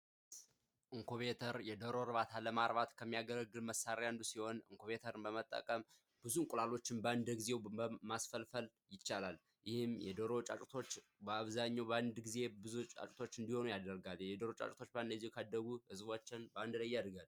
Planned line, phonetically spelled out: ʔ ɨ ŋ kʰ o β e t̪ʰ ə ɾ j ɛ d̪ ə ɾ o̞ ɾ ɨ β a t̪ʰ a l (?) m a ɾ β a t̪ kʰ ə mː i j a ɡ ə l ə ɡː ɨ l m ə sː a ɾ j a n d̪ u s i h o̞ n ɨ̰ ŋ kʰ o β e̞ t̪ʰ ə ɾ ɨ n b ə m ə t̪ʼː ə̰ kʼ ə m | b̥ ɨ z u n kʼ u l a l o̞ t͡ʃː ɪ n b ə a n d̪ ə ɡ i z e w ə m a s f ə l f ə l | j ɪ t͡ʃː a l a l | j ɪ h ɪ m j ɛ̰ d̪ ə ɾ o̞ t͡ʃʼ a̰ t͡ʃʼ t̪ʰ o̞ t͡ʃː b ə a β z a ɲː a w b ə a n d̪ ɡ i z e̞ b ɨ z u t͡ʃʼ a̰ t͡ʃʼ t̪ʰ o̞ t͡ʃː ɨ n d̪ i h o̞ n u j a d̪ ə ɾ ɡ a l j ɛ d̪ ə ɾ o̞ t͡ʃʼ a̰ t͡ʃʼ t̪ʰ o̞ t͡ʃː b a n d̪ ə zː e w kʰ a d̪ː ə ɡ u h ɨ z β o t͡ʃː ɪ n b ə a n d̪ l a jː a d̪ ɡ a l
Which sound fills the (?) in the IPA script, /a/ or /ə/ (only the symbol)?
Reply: ə